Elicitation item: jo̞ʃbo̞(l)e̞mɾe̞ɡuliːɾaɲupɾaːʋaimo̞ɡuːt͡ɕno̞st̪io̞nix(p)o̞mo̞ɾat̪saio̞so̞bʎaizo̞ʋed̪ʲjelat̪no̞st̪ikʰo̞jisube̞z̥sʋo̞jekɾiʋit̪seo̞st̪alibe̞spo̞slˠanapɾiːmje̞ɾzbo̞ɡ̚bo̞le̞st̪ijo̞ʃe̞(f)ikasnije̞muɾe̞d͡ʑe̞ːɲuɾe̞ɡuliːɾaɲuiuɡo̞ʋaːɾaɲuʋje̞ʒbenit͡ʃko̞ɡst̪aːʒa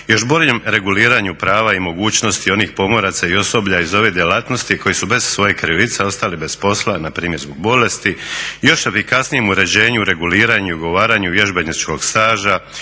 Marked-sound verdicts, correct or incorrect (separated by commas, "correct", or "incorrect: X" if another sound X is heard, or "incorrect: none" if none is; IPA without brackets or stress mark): incorrect: ʎ, correct, correct